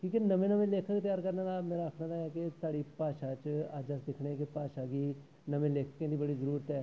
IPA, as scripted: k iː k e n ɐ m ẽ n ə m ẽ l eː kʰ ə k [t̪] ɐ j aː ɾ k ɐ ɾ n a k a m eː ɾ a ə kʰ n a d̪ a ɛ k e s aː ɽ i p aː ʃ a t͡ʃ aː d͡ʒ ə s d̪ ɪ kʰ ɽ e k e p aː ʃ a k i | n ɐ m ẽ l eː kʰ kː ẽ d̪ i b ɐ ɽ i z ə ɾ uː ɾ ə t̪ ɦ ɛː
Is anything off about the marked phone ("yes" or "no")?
no